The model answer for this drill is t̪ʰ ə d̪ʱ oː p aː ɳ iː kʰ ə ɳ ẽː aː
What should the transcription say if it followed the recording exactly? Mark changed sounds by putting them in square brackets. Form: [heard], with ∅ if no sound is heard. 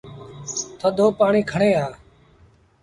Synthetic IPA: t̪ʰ ə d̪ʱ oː p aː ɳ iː kʰ ə ɳ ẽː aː